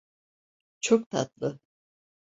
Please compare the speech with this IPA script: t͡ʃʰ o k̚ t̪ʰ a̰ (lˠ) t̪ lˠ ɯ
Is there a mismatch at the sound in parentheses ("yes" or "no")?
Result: yes